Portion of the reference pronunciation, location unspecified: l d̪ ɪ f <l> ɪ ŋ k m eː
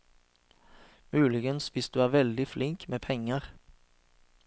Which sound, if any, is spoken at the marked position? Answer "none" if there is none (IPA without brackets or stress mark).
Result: l